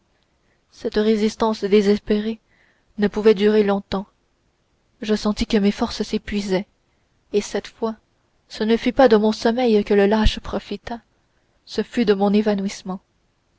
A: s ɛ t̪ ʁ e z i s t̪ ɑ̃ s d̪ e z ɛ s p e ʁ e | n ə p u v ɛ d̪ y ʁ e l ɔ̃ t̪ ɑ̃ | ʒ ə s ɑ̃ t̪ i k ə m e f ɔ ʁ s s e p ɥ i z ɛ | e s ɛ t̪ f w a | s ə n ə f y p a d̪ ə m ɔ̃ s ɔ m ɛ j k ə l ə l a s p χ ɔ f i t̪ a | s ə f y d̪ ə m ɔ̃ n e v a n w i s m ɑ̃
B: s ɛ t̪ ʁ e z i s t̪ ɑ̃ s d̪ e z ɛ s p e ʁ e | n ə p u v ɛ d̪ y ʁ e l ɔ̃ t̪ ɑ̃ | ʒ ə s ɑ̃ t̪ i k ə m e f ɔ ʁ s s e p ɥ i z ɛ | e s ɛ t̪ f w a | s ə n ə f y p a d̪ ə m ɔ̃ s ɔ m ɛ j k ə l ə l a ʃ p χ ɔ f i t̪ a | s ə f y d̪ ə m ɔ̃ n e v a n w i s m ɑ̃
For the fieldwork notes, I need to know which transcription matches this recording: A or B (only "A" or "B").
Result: B